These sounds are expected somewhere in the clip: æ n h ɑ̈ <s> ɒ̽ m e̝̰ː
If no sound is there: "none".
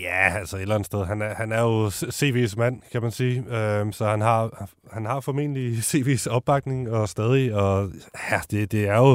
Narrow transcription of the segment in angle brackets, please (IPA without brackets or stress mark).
f